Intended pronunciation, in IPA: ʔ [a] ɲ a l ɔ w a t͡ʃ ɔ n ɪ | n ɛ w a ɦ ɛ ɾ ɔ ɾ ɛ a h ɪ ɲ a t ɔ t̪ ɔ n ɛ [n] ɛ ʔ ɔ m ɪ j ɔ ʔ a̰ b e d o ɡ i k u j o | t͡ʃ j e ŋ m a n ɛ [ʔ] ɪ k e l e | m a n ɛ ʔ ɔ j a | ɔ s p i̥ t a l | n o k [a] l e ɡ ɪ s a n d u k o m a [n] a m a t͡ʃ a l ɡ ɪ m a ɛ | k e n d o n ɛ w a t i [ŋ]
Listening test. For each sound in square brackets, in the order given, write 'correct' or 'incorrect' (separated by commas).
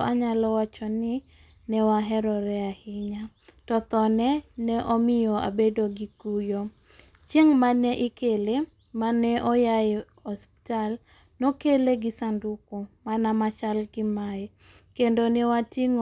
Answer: correct, correct, correct, incorrect, correct, correct